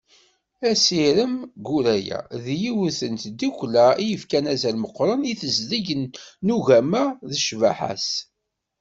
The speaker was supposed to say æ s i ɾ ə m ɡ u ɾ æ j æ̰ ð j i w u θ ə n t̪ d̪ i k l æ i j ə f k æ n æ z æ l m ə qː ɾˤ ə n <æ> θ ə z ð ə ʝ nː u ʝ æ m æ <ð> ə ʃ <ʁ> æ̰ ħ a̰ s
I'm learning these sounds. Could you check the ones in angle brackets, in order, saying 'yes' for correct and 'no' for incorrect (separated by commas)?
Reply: no, yes, no